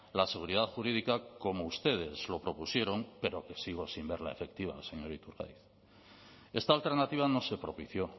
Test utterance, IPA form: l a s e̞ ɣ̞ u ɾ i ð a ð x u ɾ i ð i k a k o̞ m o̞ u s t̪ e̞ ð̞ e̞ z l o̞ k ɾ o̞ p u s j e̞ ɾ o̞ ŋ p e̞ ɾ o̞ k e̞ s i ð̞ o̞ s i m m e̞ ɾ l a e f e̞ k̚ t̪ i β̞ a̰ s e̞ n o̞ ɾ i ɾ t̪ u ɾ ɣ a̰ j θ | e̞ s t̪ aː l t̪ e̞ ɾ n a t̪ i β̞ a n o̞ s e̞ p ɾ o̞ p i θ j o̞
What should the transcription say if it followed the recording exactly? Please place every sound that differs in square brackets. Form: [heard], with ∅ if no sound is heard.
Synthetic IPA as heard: l a s e̞ ɣ̞ u ɾ i ð a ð x u ɾ i ð i k a k o̞ m o̞ u s t̪ e̞ ð̞ e̞ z l o̞ [p] ɾ o̞ p u s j e̞ ɾ o̞ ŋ p e̞ ɾ o̞ k e̞ s i [ɣ̞] o̞ s i m [b] e̞ ɾ l a e f e̞ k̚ t̪ i β̞ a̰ s e̞ [ɲ] o̞ ɾ i [∅] t̪ u ɾ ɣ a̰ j θ | e̞ s t̪ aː l t̪ e̞ ɾ n a t̪ i β̞ a n o̞ s e̞ p ɾ o̞ p i θ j o̞